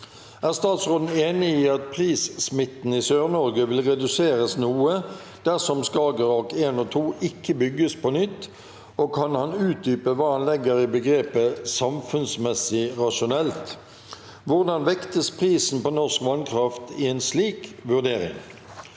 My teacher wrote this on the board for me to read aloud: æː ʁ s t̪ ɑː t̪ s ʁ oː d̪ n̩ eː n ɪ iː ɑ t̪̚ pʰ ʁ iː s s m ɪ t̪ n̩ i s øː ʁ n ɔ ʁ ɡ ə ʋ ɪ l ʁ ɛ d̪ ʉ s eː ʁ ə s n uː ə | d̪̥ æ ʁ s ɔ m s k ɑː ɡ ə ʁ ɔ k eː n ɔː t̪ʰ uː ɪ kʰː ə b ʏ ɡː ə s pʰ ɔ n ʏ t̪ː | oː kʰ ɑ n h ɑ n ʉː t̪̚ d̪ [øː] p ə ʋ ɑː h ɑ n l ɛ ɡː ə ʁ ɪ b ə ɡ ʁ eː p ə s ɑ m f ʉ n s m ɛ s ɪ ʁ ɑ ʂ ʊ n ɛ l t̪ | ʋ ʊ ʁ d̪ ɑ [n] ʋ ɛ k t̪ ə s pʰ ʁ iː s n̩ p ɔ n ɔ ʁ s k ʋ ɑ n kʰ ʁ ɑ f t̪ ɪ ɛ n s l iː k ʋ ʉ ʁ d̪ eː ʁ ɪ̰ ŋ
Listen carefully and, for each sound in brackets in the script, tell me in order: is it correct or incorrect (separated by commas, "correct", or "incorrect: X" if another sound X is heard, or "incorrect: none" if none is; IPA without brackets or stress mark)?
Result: incorrect: yː, correct